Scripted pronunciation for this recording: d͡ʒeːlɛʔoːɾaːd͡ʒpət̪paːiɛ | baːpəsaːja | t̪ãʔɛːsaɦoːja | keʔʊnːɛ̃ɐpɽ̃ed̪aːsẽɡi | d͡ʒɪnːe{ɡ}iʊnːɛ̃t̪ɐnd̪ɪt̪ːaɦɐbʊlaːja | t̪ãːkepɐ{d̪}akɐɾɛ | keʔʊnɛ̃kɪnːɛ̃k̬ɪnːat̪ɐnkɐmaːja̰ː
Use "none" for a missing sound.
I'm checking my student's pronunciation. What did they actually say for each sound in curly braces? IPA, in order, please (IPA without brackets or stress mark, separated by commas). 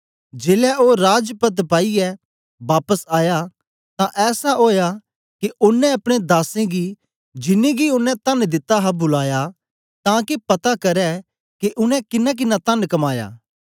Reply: ɡ, t̪